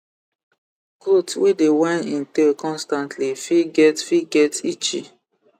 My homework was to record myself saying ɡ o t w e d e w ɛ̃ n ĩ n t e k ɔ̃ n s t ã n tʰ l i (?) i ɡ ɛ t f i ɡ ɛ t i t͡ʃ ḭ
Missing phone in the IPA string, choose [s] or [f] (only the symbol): f